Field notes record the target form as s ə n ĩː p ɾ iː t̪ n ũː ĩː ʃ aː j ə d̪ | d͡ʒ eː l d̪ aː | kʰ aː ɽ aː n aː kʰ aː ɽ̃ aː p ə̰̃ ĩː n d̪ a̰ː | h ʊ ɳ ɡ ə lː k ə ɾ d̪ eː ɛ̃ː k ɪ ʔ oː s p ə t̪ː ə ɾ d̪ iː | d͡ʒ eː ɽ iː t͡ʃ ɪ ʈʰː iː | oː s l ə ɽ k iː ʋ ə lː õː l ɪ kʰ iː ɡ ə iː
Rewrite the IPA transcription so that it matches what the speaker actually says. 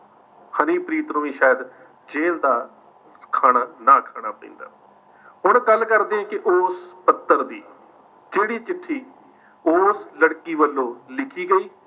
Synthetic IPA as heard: h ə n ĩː p ɾ iː t̪ n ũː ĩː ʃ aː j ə d̪ | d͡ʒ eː l d̪ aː | kʰ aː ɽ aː n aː kʰ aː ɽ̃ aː p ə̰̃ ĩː n d̪ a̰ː | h ʊ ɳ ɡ ə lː k ə ɾ d̪ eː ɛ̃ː k ɪ ʔ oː s p ə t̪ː ə ɾ d̪ iː | d͡ʒ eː ɽ iː t͡ʃ ɪ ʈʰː iː | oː s l ə ɽ k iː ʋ ə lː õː l ɪ kʰ iː ɡ ə iː